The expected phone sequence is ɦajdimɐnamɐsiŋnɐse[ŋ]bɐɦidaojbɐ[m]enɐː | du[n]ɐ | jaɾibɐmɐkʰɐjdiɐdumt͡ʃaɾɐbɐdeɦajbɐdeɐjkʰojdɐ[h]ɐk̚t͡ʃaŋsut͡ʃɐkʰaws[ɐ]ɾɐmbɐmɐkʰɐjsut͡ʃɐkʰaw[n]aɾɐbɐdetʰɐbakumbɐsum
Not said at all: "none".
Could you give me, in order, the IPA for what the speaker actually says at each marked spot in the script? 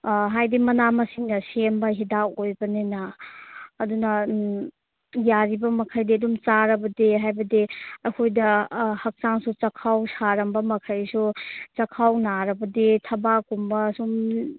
m, n, n, h, a, n

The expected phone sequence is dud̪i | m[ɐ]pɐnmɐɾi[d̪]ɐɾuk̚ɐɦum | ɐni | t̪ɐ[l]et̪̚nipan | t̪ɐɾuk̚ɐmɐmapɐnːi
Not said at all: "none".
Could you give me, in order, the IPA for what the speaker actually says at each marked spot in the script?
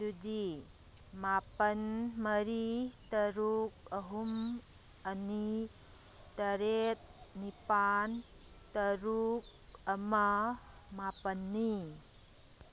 a, t̪, ɾ

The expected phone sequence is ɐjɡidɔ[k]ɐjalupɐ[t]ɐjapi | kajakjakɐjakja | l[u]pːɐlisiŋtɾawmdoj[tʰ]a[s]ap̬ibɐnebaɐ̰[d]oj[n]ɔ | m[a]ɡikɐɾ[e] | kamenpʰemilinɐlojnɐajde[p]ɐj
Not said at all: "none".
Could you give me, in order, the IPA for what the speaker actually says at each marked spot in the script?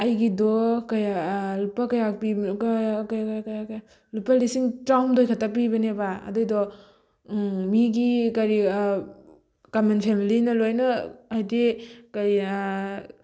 k, k, u, kʰ, t, d, d, i, i, k

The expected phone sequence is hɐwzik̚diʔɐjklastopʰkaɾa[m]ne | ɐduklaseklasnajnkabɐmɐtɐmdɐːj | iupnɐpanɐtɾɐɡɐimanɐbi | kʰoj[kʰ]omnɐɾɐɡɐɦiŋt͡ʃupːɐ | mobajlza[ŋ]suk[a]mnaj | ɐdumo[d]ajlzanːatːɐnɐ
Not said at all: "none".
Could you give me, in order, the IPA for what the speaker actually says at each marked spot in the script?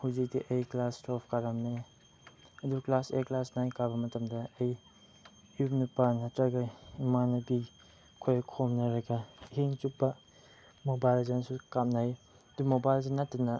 m, kʰ, n, a, b

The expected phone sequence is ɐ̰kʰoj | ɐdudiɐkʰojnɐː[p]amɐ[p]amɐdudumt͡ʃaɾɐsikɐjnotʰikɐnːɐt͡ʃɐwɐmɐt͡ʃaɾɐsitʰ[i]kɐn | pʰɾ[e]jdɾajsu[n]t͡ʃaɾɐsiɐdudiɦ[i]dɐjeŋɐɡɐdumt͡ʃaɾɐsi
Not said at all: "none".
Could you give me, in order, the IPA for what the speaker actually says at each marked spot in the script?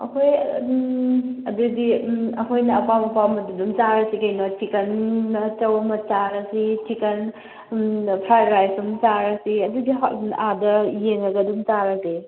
p, p, i, a, m, a

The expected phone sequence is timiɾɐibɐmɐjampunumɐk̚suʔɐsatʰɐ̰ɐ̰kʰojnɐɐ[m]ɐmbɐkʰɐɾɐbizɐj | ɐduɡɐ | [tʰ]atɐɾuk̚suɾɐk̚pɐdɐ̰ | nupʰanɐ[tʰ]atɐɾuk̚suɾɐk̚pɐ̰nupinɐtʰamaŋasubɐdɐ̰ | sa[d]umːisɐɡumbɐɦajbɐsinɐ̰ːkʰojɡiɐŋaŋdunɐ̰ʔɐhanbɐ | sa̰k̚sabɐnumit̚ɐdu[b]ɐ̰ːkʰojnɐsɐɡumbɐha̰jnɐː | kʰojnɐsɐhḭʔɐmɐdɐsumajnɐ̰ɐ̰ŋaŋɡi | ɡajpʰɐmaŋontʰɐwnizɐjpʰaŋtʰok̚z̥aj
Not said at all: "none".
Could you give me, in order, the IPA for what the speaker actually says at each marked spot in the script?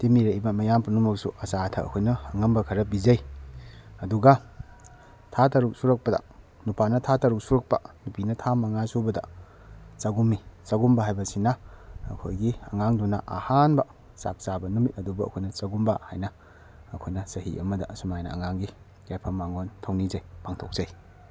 ŋ, tʰ, tʰ, ɡ, b

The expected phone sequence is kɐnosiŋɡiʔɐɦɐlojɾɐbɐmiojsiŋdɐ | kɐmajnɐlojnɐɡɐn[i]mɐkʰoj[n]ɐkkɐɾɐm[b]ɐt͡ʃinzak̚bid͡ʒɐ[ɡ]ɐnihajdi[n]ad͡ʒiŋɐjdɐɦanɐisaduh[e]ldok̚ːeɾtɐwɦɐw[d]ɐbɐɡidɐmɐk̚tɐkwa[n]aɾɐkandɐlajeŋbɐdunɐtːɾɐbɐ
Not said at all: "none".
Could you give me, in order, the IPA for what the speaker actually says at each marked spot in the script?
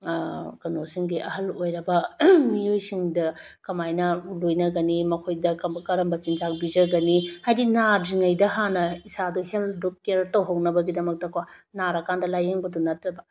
i, d, b, ɡ, n, e, n, n

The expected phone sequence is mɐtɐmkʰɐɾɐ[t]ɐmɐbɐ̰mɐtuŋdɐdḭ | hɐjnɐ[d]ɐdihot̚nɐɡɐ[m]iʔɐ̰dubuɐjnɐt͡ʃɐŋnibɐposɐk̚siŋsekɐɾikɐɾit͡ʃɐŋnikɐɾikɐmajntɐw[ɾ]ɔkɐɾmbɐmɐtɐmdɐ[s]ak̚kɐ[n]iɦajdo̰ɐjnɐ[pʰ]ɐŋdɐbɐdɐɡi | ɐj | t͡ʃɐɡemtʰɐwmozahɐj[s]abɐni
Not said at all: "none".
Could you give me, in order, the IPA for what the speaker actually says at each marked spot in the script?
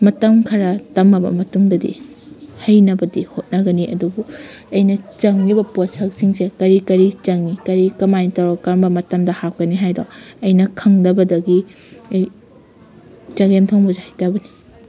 t, b, n, ɾ, h, n, kʰ, t

